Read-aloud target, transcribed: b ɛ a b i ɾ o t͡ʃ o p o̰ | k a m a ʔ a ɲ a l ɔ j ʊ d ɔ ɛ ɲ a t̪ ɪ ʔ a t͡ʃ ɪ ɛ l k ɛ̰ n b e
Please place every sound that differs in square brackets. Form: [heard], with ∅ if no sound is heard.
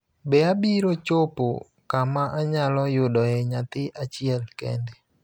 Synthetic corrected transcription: b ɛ a b i ɾ o t͡ʃ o p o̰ | k a m a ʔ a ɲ a l ɔ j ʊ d ɔ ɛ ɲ a t̪ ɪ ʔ a t͡ʃ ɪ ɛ l k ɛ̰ n [d] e